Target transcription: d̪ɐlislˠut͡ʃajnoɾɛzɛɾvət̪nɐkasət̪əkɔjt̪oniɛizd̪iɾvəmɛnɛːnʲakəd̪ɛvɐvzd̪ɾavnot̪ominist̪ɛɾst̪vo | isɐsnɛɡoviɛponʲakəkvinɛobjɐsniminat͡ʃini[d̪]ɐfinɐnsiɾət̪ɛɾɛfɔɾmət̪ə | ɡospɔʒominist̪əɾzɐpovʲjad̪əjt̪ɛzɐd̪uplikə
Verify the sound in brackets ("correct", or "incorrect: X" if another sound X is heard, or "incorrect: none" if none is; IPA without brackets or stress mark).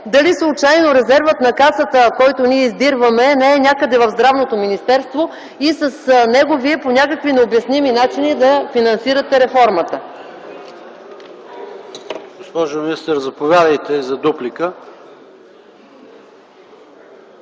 correct